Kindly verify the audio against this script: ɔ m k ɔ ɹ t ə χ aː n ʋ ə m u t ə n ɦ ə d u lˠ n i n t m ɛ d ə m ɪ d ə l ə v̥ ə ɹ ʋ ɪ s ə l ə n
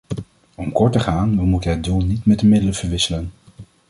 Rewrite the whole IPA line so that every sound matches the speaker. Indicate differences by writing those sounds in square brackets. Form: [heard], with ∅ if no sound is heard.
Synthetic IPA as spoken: ɔ m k ɔ ɹ t ə χ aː n ʋ ə m u t ə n ɦ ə d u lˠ n i [∅] t m ɛ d ə m ɪ d ə l ə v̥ ə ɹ ʋ ɪ s ə l ə n